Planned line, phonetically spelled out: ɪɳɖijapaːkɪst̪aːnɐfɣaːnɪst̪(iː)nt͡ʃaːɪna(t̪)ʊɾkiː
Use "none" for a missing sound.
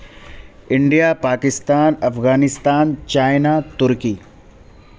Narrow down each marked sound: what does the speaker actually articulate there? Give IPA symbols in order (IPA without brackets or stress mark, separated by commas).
aː, t̪